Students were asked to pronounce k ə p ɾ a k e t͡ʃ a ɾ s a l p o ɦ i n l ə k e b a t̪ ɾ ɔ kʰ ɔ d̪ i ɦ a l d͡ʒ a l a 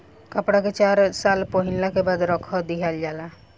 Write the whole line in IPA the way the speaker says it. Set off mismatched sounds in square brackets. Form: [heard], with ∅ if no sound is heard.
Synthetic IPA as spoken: k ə p [ɽ] a k e t͡ʃ a ɾ s a l p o ɦ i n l [a] k e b a [d̪] ɾ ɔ kʰ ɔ d̪ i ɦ a l d͡ʒ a l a

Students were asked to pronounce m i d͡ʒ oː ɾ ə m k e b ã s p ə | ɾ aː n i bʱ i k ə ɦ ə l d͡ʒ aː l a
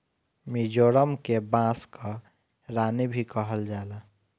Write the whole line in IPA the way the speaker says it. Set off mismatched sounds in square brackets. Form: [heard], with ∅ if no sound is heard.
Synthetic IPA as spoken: m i d͡ʒ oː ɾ ə m k e b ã s [k] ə | ɾ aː n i bʱ i k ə ɦ ə l d͡ʒ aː l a

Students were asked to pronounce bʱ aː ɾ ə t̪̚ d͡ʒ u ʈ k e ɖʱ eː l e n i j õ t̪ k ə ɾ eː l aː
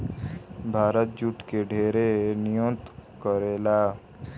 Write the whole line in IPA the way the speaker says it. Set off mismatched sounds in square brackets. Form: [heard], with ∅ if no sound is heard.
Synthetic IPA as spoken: bʱ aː ɾ ə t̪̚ d͡ʒ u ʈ k e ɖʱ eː [ɾ] e n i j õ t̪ k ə ɾ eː l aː

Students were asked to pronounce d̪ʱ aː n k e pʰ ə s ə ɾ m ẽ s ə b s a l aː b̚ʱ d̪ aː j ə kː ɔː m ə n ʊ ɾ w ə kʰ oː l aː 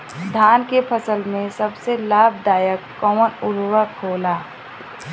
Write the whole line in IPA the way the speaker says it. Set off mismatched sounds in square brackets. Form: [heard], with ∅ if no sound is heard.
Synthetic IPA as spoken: d̪ʱ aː n k e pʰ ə s ə [l] m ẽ s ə b s [e] l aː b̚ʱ d̪ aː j ə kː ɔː m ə n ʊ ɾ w ə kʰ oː l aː

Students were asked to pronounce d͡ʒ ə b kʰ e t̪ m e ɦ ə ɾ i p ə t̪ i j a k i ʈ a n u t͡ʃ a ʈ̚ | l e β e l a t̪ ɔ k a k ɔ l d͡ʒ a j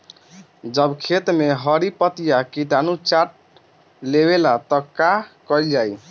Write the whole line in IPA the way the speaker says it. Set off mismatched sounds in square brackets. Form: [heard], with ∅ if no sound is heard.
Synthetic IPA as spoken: d͡ʒ ə b kʰ e t̪ m e ɦ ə ɾ i p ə t̪ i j a k i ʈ a n u t͡ʃ a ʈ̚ | l e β e l a t̪ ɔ k a k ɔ l d͡ʒ a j

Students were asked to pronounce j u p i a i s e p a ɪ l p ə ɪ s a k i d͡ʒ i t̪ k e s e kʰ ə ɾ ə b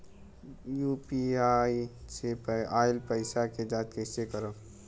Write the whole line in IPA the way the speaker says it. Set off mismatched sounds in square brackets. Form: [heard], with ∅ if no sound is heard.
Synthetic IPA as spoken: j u p i a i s e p a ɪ l p ə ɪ s a k [e] d͡ʒ [a] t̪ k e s e [k] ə ɾ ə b

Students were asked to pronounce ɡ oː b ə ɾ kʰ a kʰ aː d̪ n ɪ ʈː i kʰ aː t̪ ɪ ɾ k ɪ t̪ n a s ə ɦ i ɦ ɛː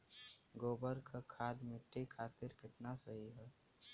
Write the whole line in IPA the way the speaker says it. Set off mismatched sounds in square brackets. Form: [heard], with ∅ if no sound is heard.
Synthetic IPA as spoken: ɡ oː b ə ɾ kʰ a kʰ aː d̪ [m] ɪ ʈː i kʰ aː t̪ ɪ ɾ k ɪ t̪ n a s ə ɦ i ɦ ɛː

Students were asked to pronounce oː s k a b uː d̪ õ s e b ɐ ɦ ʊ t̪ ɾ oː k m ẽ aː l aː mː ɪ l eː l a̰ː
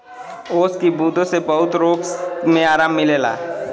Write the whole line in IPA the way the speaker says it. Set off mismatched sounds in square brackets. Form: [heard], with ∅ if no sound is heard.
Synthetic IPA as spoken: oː s k [i] b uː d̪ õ s e b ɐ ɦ ʊ t̪ ɾ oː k m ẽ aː [ɾ] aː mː ɪ l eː l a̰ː

